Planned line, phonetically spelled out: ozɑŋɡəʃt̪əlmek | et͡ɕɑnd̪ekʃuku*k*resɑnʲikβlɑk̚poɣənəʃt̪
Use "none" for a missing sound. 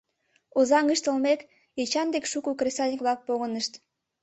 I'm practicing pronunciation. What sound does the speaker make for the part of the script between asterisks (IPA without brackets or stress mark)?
k